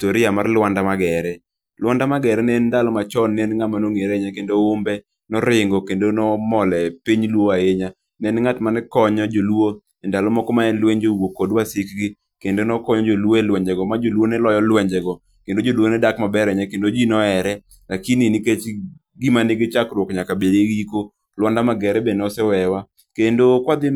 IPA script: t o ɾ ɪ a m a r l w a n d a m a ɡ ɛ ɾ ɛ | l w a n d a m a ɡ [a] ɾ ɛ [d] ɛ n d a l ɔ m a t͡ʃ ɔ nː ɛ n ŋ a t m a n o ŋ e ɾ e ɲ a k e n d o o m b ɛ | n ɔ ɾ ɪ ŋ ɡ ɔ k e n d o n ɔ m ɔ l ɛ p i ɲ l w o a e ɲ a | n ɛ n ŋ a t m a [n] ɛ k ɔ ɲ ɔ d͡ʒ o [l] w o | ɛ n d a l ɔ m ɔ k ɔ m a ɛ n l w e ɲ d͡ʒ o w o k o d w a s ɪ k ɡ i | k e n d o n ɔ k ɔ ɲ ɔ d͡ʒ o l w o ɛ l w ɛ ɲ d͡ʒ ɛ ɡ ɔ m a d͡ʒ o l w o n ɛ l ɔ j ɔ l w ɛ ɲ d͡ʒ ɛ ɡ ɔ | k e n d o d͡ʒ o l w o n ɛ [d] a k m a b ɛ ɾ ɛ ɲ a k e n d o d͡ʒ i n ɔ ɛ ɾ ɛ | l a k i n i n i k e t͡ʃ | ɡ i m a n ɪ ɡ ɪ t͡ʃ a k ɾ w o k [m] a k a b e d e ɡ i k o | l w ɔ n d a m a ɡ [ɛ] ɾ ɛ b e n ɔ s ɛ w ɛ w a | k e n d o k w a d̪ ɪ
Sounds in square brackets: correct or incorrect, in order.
incorrect: ɛ, incorrect: n, correct, correct, correct, incorrect: ɲ, correct

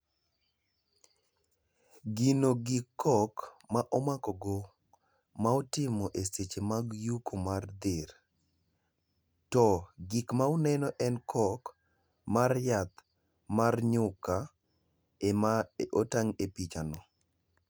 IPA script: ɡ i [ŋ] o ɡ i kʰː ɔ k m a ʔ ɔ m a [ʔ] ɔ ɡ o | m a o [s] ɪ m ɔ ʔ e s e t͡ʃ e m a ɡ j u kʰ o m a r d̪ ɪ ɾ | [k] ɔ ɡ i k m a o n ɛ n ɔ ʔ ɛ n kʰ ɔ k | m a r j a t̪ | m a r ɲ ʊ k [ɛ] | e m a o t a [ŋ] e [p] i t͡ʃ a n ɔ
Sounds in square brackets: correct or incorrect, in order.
incorrect: n, incorrect: k, incorrect: t, incorrect: t, incorrect: a, correct, correct

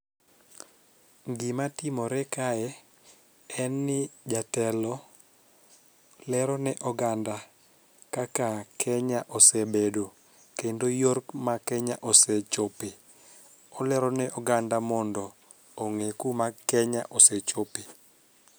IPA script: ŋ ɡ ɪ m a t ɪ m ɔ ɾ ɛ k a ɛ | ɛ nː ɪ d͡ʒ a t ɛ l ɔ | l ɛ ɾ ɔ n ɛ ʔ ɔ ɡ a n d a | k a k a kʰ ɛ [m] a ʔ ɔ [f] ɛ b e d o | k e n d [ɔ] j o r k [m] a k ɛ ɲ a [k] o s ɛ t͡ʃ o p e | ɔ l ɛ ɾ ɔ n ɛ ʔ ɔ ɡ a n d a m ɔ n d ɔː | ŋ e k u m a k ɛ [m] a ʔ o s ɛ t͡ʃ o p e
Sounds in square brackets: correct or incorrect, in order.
incorrect: ɲ, incorrect: s, incorrect: o, correct, incorrect: ʔ, incorrect: ɲ

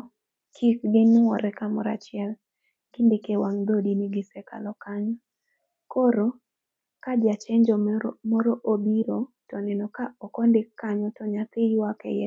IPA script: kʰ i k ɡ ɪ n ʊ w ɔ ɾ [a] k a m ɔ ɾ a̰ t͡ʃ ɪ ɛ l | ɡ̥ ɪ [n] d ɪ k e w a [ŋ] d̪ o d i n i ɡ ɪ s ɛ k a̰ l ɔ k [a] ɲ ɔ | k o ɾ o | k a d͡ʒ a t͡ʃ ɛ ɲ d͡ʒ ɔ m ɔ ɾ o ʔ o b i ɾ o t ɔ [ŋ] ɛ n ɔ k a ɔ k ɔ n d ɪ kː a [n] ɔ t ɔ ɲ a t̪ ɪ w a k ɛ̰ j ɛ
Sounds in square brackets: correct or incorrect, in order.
incorrect: ɛ, correct, correct, correct, incorrect: n, incorrect: ɲ

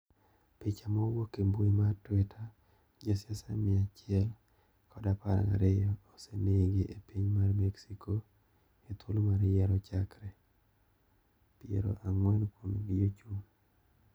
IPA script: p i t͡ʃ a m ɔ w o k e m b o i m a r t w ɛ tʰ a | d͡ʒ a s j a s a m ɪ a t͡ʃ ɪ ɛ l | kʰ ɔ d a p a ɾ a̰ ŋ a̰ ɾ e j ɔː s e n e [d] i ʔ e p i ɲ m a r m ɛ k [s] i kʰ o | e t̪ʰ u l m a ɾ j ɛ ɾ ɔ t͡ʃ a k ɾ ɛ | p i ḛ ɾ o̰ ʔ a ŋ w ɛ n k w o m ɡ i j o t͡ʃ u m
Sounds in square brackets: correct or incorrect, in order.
incorrect: ɡ, correct

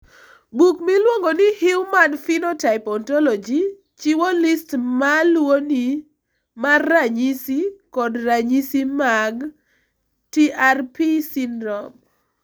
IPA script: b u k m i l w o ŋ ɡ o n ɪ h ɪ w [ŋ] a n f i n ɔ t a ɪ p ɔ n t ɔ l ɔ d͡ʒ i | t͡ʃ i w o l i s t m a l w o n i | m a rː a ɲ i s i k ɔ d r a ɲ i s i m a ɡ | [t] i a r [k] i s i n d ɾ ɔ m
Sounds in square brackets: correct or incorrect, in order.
incorrect: m, correct, incorrect: p

